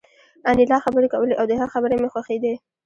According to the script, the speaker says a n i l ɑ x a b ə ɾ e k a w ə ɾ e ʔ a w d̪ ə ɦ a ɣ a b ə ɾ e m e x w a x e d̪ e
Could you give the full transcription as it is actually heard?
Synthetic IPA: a n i l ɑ x a b ə ɾ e k a w ə l e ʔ a w d̪ ə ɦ a x a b ə ɾ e m e x w a x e d̪ e